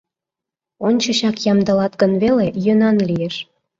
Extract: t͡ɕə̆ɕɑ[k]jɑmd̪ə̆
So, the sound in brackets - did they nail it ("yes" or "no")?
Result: yes